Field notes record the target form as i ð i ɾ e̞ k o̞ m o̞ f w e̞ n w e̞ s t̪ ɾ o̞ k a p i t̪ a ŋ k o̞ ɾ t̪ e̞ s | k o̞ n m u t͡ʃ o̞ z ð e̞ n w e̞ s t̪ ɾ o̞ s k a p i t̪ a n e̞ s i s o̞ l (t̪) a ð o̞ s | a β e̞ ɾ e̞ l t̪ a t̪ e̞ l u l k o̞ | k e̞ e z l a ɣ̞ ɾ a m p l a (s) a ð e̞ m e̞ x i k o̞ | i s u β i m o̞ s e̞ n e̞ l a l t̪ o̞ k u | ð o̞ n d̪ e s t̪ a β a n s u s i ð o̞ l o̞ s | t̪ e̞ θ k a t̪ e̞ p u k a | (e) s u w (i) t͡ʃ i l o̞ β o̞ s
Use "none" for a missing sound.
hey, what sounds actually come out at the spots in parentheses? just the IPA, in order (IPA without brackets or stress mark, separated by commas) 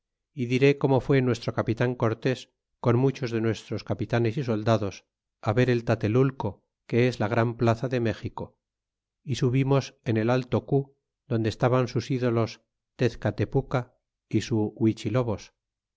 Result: d̪, θ, i, i